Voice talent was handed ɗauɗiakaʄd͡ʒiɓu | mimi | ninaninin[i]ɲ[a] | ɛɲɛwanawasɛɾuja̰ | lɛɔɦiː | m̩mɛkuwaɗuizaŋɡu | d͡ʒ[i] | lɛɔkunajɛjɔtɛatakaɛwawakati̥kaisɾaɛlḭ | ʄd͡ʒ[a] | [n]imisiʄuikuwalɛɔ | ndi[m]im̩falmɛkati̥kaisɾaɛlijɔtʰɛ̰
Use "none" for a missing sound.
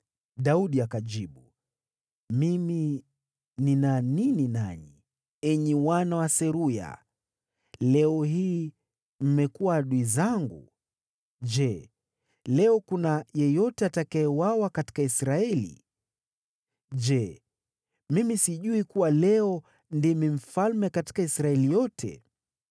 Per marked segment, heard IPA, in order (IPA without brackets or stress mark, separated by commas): a, i, ɛ, ɛ, m, m